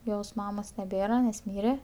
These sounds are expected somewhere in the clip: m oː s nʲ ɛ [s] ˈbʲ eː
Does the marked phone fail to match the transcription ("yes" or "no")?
yes